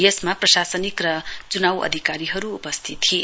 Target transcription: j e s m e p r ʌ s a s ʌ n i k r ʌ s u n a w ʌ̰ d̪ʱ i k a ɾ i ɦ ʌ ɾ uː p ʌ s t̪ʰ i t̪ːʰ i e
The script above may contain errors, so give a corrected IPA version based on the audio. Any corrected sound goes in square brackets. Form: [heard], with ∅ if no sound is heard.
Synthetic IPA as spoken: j e s m [a] p r ʌ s a s ʌ n i k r ʌ [t͡s] u n a w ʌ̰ d̪ʱ i k a ɾ i ɦ ʌ ɾ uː p ʌ s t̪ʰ i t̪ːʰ i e

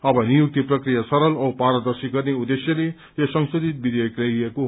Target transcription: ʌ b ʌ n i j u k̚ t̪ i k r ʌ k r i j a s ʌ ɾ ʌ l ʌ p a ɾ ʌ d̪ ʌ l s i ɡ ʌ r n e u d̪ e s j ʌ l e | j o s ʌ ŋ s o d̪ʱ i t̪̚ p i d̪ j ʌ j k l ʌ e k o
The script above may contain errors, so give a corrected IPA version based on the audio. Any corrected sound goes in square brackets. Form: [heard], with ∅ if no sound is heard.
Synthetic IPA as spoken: ʌ b ʌ n i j u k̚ t̪ i [p] r ʌ k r i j a s ʌ ɾ ʌ l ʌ p a ɾ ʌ d̪ ʌ [r] s i ɡ ʌ r n e u d̪ e s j ʌ l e | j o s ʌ ŋ s o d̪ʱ i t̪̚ [b] i d̪ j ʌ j k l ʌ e k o

